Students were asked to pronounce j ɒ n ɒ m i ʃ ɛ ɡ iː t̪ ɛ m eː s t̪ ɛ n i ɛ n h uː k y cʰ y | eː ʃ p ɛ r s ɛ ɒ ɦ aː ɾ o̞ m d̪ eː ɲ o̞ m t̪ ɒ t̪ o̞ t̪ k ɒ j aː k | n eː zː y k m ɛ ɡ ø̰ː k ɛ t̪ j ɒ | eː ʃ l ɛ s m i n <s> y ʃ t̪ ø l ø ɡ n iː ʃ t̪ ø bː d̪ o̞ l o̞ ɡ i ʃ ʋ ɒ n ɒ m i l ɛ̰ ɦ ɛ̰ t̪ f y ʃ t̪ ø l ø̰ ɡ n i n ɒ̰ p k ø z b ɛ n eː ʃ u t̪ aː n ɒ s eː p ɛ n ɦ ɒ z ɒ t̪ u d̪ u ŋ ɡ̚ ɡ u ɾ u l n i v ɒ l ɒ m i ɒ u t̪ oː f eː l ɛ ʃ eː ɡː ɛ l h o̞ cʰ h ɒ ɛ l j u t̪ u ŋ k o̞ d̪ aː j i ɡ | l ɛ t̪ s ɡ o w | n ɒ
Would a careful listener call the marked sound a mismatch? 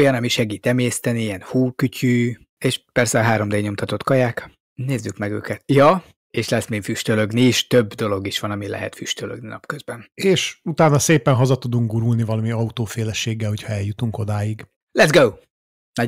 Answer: yes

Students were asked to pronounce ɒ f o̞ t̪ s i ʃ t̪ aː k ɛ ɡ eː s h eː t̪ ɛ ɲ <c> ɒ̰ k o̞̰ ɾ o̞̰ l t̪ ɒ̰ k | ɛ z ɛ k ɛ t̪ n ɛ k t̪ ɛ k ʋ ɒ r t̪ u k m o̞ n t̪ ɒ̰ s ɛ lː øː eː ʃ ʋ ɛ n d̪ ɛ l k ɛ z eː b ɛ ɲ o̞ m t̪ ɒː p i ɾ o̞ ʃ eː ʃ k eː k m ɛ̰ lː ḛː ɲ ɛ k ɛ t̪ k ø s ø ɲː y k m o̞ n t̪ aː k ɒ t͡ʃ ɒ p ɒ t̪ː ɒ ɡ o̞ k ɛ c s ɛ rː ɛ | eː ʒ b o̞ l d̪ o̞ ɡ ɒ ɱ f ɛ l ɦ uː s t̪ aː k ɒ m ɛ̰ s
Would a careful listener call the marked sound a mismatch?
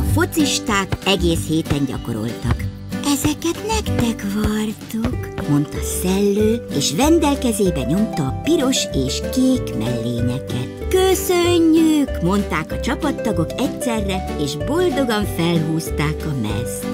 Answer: yes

